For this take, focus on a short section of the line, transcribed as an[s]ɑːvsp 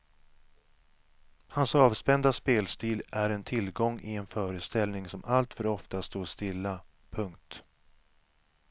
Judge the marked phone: correct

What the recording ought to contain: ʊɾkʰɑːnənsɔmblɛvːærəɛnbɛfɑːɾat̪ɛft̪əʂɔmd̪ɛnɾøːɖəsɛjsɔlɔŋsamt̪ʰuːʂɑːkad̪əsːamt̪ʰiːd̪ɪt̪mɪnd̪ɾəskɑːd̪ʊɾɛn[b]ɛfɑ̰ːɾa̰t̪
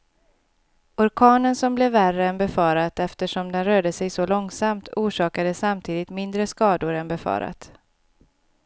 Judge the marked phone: correct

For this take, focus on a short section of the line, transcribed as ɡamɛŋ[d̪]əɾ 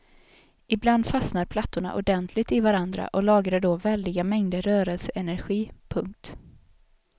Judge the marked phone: correct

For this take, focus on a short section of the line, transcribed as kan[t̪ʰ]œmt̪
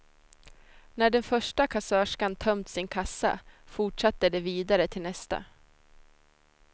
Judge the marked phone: correct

